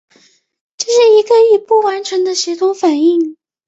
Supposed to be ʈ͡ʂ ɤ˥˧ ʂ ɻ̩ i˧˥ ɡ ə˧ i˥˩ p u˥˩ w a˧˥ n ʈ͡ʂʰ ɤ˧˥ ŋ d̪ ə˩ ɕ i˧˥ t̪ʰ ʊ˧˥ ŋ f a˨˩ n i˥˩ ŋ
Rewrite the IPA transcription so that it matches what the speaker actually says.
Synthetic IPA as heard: ʈ͡ʂ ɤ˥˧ ʂ ɻ̩ i˧˥ ɡ ə˧ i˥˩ p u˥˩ w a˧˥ n ʈ͡ʂʰ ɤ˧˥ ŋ d̪ ə˧ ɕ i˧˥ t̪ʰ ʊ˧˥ ŋ f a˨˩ n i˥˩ ŋ